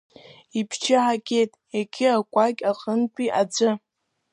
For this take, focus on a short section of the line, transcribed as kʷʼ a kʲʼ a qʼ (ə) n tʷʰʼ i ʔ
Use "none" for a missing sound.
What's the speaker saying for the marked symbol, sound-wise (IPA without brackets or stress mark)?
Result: ə